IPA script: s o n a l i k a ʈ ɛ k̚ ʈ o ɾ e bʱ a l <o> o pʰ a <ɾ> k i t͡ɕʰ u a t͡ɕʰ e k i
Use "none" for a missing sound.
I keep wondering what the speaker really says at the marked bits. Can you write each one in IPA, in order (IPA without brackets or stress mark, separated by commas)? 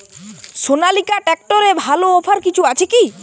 o, ɾ